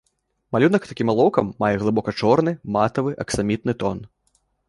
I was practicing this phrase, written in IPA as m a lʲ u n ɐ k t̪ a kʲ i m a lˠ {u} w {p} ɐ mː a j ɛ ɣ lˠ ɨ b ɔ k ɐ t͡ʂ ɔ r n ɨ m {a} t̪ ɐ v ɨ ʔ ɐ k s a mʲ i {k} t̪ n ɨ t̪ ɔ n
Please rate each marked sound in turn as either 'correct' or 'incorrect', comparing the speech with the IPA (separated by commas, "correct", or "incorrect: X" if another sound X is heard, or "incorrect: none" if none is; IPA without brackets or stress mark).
incorrect: ɔ, incorrect: k, correct, incorrect: none